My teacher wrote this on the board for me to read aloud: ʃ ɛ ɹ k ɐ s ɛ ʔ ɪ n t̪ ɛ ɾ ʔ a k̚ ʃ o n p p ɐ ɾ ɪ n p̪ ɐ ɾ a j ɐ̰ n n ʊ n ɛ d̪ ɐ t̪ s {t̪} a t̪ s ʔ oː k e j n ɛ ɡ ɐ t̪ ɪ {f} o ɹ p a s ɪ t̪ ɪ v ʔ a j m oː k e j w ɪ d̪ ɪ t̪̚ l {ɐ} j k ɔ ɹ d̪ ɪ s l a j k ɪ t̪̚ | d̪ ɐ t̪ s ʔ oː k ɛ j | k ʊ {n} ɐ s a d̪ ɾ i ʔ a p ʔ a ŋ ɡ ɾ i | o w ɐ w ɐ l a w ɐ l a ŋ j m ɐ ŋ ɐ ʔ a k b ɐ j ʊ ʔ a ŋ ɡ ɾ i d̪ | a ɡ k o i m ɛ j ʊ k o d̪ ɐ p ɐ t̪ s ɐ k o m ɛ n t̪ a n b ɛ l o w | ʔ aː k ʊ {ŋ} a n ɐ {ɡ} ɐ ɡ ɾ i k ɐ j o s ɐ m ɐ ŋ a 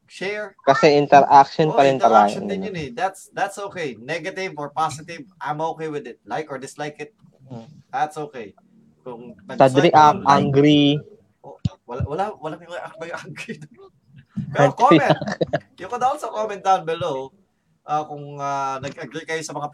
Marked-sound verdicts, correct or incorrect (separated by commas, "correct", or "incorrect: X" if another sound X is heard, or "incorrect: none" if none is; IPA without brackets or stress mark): incorrect: d̪, incorrect: v, incorrect: a, incorrect: ŋ, correct, correct